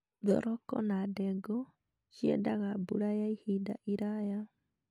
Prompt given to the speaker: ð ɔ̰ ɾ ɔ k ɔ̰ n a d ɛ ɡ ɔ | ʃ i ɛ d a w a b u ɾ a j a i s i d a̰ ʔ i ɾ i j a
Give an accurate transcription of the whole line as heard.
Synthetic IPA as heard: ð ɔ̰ ɾ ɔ k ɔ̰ n a d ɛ ɡ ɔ | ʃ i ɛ d a ɣ a b u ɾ a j a i h i d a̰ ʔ i ɾ a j a